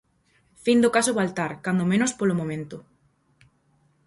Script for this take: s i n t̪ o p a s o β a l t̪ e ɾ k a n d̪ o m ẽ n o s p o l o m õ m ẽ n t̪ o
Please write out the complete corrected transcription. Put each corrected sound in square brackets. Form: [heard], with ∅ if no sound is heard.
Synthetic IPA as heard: [f] i n [d̪] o [k] a s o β a l t̪ [a] ɾ k a n d̪ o m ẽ n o s p o l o m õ m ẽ n t̪ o